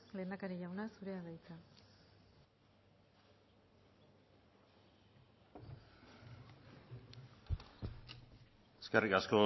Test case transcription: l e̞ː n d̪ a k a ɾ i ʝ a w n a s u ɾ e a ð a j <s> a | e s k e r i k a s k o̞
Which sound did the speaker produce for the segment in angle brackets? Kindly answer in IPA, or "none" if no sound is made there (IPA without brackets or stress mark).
t͡s